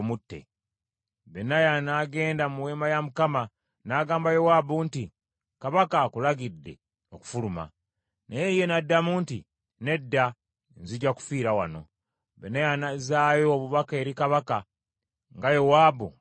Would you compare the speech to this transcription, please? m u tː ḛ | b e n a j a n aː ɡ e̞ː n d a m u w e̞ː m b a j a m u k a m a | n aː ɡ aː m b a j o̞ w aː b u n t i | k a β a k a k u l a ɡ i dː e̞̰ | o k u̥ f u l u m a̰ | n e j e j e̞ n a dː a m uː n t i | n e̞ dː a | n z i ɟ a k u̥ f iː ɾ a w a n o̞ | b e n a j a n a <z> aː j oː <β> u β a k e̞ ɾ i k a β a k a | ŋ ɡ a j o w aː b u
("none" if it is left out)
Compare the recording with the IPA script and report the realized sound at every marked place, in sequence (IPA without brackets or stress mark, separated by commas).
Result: z, β